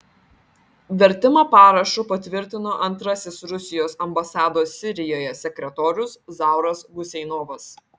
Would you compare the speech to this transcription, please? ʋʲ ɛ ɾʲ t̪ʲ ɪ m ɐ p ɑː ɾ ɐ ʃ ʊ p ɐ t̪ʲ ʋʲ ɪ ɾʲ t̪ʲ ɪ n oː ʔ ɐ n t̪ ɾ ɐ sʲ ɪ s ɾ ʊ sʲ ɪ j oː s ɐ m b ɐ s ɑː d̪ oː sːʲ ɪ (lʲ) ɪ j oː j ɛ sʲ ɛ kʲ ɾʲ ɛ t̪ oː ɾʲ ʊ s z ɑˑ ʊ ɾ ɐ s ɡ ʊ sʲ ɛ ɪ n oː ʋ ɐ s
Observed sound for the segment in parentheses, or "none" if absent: ɾʲ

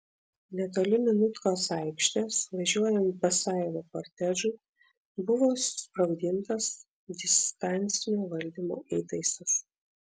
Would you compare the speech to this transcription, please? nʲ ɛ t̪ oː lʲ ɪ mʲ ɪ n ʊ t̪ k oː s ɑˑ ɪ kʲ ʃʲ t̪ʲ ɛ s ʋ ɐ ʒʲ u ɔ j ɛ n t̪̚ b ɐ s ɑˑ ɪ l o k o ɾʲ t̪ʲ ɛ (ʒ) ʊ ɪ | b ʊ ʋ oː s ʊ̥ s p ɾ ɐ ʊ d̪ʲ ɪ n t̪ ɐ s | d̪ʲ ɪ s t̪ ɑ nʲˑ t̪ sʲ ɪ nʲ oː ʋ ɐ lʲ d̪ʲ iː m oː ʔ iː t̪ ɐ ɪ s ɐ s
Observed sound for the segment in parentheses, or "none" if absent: ʒ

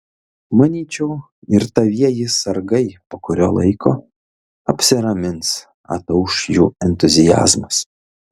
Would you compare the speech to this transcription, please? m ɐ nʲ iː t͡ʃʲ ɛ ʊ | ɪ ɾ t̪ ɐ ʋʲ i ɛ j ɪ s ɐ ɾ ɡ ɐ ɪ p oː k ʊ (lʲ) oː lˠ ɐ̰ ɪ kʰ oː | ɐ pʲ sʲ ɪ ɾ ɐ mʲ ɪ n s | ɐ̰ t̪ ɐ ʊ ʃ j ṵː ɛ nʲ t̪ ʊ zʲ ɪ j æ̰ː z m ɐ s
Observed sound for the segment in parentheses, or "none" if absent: ɾʲ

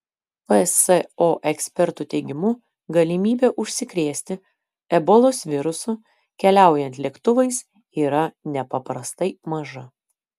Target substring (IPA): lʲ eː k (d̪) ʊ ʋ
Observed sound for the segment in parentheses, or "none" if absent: t̪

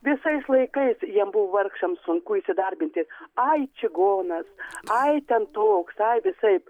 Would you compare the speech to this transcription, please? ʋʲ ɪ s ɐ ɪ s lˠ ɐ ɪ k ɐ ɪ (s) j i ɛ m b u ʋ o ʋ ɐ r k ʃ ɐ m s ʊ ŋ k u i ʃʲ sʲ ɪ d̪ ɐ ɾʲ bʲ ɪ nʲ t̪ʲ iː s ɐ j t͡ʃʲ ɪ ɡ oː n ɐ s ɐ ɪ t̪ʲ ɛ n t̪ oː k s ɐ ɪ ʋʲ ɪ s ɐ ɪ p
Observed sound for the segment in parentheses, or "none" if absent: s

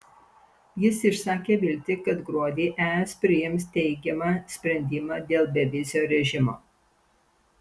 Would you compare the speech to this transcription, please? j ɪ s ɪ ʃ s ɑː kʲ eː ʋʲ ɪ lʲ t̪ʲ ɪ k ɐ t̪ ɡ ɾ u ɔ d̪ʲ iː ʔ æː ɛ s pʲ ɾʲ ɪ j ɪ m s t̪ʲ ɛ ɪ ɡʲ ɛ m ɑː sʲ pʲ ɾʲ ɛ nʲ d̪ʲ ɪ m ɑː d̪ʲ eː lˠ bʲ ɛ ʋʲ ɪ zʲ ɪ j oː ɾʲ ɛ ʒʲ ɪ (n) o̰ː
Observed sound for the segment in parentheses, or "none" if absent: m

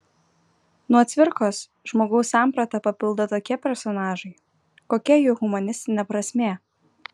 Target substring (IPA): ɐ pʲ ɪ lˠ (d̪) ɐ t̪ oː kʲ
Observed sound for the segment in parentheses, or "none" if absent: d̪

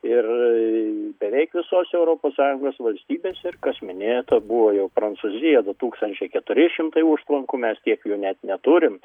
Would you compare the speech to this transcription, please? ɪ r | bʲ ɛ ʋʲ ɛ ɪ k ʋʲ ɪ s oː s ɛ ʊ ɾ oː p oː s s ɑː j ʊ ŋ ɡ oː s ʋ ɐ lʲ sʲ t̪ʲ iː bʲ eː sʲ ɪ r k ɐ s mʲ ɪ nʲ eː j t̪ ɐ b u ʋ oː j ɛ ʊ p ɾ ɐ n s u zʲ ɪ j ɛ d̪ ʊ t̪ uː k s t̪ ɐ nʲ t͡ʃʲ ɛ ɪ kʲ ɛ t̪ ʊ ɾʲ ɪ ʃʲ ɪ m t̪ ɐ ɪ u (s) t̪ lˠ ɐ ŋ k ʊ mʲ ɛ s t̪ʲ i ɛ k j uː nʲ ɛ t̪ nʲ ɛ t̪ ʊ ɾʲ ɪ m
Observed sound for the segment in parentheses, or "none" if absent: ʃ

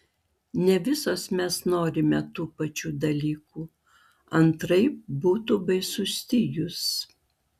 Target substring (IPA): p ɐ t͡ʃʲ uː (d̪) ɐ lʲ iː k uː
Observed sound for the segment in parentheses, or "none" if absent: d̪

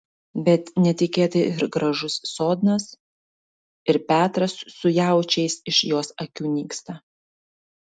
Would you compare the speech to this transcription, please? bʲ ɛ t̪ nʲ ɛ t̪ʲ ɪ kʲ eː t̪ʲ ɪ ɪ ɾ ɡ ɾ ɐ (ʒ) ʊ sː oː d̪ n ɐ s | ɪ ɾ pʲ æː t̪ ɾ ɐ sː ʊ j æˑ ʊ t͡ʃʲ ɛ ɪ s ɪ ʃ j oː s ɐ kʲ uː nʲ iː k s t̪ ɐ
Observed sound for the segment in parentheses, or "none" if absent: ʒ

